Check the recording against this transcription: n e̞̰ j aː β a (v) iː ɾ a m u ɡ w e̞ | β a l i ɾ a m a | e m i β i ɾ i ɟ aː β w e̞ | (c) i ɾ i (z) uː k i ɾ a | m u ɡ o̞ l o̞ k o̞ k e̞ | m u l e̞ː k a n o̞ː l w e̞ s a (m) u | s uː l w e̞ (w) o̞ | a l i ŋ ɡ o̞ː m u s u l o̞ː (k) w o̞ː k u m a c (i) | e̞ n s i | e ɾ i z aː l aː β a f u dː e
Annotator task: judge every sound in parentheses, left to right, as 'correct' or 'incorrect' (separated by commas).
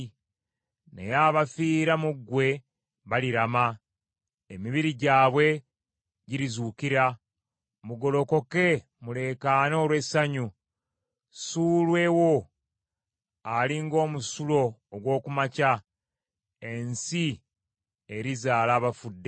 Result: incorrect, incorrect, correct, incorrect, correct, incorrect, incorrect